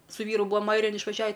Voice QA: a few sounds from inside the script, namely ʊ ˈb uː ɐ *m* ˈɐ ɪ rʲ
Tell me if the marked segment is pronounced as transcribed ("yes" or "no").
yes